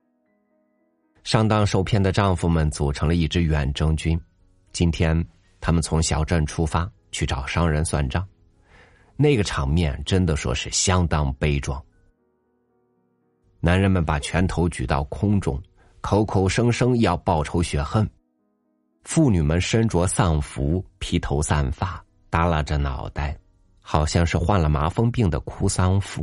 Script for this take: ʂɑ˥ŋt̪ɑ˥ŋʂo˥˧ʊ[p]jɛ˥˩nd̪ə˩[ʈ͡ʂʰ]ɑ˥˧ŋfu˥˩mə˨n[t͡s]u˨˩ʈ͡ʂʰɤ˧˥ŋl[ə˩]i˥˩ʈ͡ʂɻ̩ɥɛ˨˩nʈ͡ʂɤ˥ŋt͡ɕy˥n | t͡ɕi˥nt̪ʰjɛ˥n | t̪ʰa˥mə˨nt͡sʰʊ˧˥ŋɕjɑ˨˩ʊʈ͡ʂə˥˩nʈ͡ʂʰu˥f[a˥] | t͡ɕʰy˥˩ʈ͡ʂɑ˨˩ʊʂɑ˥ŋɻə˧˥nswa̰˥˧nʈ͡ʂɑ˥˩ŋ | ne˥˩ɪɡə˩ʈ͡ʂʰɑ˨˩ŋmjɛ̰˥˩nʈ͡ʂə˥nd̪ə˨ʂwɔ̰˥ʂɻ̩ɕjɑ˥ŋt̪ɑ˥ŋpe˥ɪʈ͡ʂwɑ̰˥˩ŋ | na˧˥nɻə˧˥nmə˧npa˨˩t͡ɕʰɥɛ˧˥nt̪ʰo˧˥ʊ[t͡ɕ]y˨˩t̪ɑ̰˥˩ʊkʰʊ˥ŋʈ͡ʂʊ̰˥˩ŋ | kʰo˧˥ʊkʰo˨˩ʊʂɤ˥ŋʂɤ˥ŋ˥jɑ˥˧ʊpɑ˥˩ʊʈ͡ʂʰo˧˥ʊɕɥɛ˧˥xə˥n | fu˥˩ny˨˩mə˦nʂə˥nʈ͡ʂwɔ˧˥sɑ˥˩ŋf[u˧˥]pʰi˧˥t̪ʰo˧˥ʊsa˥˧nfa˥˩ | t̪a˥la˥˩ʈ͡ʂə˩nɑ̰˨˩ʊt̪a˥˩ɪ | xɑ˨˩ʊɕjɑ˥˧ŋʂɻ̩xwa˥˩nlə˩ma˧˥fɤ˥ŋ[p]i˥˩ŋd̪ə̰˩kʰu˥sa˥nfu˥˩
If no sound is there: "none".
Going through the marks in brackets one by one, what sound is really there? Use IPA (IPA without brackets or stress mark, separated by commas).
pʰ, ʈ͡ʂ, t͡s, ə˧, a˥, t͡ɕ, u˧˥, p